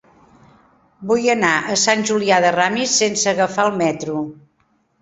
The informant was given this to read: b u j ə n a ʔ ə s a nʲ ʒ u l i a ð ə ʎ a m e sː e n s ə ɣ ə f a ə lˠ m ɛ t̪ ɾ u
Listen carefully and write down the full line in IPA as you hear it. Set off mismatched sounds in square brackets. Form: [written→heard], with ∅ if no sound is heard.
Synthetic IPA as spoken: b u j ə n a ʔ ə s a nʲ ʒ u l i a ð ə [ʎ→r] a m [e→i] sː e n s ə ɣ ə f a ə lˠ m ɛ t̪ ɾ u